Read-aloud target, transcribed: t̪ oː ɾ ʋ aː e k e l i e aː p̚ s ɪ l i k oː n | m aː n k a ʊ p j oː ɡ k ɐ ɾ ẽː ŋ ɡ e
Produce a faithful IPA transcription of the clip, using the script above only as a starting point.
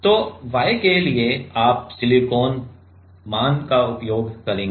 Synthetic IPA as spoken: t̪ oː ʋ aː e k e l i e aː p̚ s ɪ l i k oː n | m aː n k a ʊ p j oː ɡ k ɐ ɾ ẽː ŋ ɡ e